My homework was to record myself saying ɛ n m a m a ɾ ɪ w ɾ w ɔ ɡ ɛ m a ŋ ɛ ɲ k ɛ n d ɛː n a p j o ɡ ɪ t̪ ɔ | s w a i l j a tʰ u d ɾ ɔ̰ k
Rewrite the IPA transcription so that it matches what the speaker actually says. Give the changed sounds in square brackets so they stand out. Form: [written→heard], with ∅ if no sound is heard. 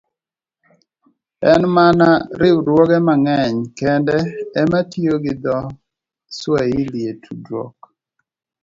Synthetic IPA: ɛ n m a [m→n] a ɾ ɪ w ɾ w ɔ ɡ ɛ m a ŋ ɛ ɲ k ɛ n d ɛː [n→m] a [p→t] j o ɡ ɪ [t̪→d̪] ɔ | s w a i l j [a→e] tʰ u d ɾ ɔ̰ k